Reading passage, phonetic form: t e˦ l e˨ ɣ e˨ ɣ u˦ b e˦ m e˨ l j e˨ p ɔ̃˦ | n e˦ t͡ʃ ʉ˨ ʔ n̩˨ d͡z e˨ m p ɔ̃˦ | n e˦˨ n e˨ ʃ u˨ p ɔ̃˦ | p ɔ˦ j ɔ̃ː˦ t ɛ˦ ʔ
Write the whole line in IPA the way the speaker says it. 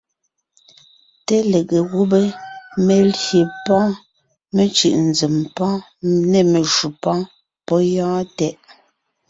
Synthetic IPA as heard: t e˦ l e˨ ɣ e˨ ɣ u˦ b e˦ m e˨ l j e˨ p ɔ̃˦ | m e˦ t͡ʃ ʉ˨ ʔ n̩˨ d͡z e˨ m p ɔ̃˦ | n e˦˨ m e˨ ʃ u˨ p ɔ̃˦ | p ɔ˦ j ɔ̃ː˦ t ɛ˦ ʔ